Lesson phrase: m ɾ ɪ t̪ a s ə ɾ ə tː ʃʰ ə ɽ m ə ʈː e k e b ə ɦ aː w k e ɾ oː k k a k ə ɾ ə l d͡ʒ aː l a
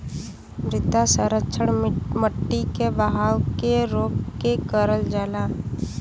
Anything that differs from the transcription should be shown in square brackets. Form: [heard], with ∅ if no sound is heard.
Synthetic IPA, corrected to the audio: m ɾ ɪ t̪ a s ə ɾ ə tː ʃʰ ə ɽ m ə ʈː [i] k e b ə ɦ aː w k e ɾ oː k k [e] k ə ɾ ə l d͡ʒ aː l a